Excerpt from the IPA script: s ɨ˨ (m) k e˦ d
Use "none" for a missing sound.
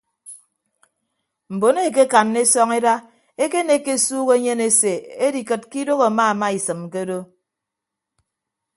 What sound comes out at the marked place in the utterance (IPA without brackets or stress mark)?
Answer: m